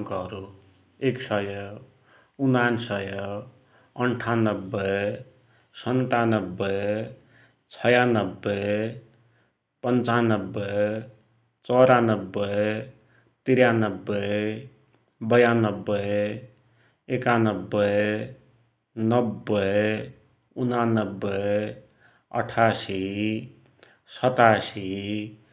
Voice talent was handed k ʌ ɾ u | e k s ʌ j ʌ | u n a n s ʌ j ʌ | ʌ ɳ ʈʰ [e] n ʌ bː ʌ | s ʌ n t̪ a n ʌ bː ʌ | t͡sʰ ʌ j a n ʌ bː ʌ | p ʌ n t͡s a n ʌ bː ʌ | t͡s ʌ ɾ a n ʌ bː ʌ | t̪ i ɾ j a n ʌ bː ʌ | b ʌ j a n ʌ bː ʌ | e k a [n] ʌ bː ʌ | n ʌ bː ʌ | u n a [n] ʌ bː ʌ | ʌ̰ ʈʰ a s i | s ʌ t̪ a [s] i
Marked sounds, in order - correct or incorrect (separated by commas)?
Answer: incorrect, correct, correct, correct